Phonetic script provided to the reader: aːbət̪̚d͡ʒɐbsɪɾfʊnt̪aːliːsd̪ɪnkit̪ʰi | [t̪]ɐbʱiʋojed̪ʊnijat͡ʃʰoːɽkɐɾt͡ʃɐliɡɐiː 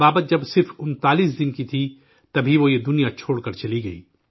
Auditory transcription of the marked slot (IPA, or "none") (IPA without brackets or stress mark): t̪